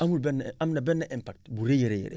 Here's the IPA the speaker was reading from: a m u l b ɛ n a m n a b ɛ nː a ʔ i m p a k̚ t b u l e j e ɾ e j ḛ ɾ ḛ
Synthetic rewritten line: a m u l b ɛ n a m n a b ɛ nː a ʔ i m p a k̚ t b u ɾ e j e ɾ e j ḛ ɾ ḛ

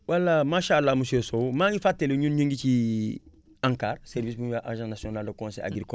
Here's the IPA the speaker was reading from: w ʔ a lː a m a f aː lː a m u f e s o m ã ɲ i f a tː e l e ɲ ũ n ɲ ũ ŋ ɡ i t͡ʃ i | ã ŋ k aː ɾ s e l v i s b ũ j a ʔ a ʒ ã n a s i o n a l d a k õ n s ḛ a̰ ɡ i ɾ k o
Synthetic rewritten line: w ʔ a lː a m a ʃ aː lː a m u s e s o m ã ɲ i f a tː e l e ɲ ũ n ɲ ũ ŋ ɡ i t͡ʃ i | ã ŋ k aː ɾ s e ɾ v i s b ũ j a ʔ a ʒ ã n a s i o n a l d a k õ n s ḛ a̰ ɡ i ɾ k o

